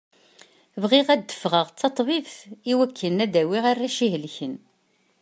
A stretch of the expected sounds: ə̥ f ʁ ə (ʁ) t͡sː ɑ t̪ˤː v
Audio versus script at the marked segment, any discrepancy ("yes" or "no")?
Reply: no